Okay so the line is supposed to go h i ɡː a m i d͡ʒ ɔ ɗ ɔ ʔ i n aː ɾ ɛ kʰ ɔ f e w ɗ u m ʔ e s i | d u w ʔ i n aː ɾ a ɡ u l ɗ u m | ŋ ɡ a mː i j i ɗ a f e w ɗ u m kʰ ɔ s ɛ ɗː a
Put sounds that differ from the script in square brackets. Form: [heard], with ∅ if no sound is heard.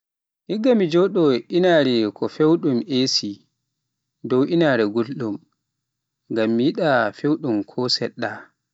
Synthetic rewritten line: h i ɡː a m i d͡ʒ ɔ ɗ ɔ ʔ i n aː ɾ ɛ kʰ ɔ f e w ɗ u m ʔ e s i | d [ɔ] w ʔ i n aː ɾ [ɛ] ɡ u l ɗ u m | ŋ ɡ a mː i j i ɗ a f e w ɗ u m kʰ ɔ s ɛ ɗː a